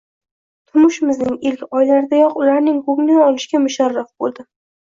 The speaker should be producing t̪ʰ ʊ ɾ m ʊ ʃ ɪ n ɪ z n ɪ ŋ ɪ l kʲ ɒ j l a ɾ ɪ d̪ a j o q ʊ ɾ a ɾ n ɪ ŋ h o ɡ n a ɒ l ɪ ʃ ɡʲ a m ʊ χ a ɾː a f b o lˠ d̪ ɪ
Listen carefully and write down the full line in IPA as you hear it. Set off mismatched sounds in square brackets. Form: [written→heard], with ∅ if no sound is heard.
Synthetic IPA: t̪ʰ ʊ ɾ m ʊ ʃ ɪ [n→m] ɪ z n ɪ ŋ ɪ l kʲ ɒ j l a ɾ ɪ d̪ a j [o→ɒ] q ʊ [ɾ→l] a ɾ n ɪ ŋ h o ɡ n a ɒ l ɪ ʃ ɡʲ a m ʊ [χ→ʃ] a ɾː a f b o lˠ d̪ ɪ